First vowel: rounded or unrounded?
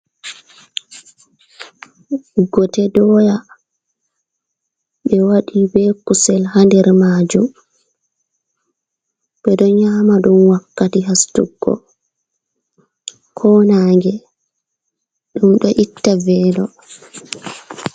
rounded